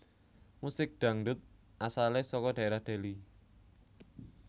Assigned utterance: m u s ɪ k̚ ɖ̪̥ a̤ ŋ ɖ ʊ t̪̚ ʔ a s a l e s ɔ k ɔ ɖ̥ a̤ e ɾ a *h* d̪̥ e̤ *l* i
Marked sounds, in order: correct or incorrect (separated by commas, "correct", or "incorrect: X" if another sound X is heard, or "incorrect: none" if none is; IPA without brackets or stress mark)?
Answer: correct, correct